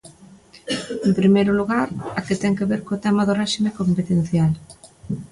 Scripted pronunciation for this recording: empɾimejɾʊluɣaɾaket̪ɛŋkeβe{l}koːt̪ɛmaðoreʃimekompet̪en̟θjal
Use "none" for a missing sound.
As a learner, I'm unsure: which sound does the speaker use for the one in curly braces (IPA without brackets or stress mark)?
ɾ